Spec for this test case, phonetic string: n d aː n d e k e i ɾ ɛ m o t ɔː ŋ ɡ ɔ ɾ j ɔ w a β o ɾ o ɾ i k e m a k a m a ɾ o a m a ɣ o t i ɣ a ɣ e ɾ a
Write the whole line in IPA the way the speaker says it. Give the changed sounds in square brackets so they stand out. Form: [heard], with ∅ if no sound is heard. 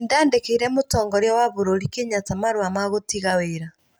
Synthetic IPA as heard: n d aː n d e k e i ɾ ɛ m o t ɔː ŋ ɡ ɔ ɾ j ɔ w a β o ɾ o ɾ i k e [ɲ] a [t] a m a ɾ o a m a ɣ o t i ɣ a [w] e ɾ a